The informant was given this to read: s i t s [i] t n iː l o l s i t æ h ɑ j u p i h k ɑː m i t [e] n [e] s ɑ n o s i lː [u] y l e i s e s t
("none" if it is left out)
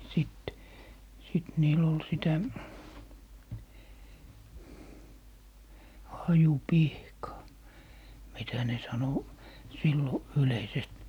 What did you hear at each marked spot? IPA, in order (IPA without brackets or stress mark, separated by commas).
i, æ, e, o